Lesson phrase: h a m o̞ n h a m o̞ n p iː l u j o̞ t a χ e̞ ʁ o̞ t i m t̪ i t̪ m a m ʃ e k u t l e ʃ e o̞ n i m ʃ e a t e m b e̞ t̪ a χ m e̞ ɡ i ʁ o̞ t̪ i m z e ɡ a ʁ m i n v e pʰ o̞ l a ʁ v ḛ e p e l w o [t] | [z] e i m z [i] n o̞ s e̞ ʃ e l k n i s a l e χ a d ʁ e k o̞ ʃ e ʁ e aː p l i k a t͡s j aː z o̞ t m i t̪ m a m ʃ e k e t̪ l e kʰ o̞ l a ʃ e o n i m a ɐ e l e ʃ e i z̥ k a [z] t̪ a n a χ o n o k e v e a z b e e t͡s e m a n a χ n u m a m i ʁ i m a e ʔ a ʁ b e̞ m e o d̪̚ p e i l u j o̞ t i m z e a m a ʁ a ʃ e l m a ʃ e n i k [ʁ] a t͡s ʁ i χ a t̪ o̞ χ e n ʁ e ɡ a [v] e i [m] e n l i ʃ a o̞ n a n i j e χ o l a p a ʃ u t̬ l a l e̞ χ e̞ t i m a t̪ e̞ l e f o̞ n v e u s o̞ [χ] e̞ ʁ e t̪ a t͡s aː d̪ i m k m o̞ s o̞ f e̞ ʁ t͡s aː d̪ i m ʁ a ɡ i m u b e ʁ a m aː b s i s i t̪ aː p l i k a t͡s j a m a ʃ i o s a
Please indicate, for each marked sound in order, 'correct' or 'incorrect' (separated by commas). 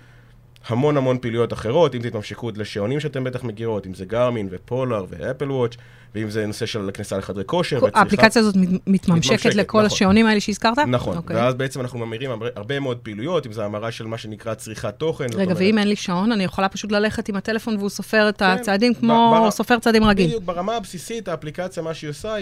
incorrect, incorrect, incorrect, incorrect, correct, correct, correct, incorrect